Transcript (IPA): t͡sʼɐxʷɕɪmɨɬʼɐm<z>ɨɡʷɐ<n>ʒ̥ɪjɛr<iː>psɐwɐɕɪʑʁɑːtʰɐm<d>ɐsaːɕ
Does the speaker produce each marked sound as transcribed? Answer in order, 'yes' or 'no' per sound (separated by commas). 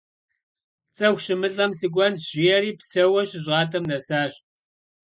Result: no, yes, yes, no